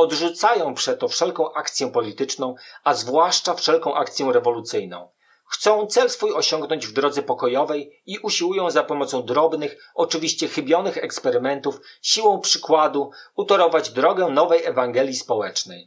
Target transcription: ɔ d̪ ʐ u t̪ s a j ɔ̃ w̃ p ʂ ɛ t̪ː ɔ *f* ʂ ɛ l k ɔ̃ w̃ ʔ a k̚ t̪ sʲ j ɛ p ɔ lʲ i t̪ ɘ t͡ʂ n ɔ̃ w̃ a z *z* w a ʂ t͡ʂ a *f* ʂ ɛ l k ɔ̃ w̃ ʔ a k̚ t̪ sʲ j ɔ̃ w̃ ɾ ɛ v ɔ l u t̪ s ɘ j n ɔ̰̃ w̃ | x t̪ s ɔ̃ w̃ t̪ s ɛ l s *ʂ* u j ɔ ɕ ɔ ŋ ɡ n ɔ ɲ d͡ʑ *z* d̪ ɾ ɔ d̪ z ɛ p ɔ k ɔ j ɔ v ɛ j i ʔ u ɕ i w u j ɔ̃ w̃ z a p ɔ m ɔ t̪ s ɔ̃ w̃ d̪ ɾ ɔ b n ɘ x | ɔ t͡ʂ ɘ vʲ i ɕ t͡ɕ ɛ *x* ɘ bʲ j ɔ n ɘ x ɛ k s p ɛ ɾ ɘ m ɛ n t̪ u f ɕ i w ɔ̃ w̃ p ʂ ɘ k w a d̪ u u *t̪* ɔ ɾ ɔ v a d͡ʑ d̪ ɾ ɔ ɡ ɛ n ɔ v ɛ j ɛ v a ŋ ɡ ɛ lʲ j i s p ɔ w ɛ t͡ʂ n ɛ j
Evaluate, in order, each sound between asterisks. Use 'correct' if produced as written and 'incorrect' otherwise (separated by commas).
correct, incorrect, correct, incorrect, incorrect, correct, correct